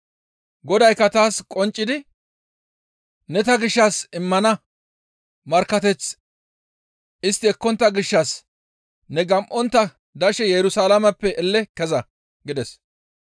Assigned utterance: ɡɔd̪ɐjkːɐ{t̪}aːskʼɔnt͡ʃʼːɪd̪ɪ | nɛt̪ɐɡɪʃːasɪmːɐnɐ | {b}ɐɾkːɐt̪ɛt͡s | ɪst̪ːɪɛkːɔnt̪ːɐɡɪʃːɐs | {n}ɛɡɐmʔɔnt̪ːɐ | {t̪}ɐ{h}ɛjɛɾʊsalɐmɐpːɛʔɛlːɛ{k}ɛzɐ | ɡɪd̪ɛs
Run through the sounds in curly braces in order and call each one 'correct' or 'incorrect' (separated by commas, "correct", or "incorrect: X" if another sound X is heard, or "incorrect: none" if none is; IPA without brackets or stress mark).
correct, incorrect: m, correct, incorrect: d̪, incorrect: ʃ, correct